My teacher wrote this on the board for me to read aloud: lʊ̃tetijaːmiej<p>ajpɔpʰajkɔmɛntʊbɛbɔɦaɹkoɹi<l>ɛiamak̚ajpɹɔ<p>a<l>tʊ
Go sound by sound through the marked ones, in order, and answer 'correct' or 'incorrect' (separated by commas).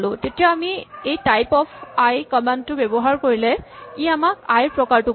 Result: incorrect, correct, incorrect, incorrect